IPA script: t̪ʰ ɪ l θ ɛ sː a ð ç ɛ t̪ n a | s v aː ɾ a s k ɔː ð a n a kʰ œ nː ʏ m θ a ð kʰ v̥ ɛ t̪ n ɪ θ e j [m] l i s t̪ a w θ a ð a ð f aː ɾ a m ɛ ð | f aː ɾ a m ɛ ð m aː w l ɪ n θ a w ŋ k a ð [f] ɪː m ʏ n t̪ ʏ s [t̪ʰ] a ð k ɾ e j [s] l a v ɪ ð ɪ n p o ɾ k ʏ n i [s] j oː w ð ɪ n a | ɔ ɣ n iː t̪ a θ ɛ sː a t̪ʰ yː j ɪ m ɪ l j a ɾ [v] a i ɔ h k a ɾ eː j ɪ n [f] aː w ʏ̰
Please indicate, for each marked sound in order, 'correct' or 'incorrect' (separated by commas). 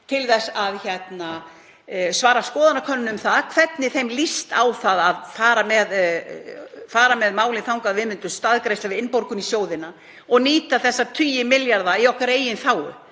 correct, incorrect, incorrect, correct, correct, incorrect, incorrect